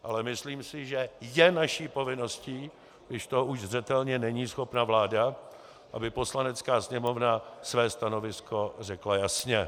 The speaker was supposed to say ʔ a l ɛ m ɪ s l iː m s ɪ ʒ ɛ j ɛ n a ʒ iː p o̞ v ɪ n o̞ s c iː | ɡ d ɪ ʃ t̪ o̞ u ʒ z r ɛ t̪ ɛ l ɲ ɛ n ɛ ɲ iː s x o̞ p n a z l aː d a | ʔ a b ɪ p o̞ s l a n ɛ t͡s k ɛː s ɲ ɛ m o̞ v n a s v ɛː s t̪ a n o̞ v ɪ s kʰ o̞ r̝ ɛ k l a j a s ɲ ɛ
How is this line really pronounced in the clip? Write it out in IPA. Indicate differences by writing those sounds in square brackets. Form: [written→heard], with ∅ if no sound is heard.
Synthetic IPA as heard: ʔ a l ɛ m ɪ s l iː m s ɪ ʒ ɛ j ɛ n a [ʒ→ʃ] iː p o̞ v ɪ n o̞ s c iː | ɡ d ɪ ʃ t̪ o̞ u ʒ z r ɛ t̪ ɛ l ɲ ɛ n ɛ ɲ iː s x o̞ p n a [z→v] l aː d a | ʔ a b ɪ p o̞ s l a n ɛ t͡s k [ɛː→aː] s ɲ ɛ m o̞ v n a s v ɛː s t̪ a n o̞ v ɪ s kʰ o̞ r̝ ɛ k l a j a s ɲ ɛ